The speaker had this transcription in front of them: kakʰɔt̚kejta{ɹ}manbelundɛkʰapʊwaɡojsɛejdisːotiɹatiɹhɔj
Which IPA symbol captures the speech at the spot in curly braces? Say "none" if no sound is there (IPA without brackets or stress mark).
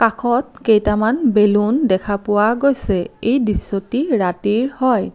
none